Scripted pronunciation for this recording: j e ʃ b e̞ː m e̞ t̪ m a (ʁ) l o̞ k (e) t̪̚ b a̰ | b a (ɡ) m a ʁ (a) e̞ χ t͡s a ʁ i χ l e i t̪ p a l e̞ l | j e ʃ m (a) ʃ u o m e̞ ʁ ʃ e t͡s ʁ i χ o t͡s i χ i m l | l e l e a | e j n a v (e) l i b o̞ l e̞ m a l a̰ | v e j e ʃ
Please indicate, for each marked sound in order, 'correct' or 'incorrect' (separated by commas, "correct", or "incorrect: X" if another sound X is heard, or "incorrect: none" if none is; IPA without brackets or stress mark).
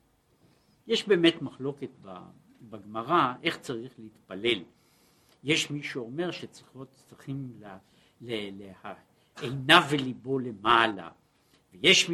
incorrect: χ, correct, correct, correct, incorrect: i, correct